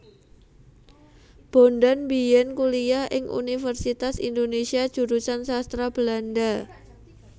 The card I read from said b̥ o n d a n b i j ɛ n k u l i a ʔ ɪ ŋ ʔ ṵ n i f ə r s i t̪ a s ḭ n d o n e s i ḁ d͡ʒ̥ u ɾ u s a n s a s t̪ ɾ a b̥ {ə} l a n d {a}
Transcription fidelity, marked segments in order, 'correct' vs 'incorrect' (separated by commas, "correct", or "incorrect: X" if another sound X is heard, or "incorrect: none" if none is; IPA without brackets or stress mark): correct, correct